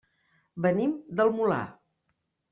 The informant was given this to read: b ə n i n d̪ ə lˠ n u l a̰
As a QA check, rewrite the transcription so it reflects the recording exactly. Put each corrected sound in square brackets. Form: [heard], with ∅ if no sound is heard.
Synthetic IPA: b ə n i [m] d̪ ə lˠ [m] u l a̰